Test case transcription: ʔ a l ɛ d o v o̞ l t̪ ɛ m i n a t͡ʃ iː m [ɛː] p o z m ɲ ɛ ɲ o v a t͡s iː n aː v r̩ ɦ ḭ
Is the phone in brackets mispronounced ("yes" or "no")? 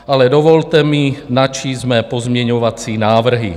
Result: no